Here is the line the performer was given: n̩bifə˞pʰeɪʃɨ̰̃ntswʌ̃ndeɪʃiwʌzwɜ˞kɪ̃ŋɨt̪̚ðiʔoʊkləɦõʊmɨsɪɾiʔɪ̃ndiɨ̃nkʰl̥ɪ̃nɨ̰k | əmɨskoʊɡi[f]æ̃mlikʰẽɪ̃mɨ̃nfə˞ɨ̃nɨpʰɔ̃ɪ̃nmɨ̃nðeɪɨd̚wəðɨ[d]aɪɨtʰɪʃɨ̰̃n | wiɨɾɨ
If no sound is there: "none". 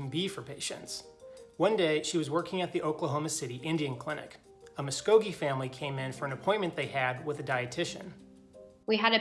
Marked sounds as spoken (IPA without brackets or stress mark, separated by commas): f, d